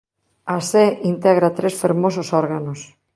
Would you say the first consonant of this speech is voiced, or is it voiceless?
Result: voiceless